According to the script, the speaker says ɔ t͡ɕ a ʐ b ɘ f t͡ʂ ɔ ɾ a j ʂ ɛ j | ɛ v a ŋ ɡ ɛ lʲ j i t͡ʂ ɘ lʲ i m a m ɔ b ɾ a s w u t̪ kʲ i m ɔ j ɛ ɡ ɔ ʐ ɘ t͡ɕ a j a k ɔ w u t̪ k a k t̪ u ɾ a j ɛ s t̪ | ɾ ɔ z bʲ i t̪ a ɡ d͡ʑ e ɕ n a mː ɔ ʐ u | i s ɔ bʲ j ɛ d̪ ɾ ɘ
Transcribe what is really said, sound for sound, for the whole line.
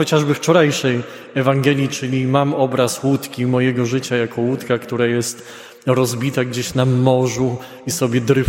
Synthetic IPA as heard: ɔ t͡ɕ a ʐ b ɘ f t͡ʂ ɔ ɾ a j ʂ ɛ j | ɛ v a ŋ ɡ ɛ lʲ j i t͡ʂ ɘ lʲ i m a m ɔ b ɾ a s w u t̪ kʲ i m ɔ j ɛ ɡ ɔ ʐ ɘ t͡ɕ a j a k ɔ w u t̪ k a k t̪ u ɾ a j ɛ s t̪ | ɾ ɔ z bʲ i t̪ a ɡ d͡ʑ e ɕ n a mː ɔ ʐ u | i s ɔ bʲ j ɛ d̪ ɾ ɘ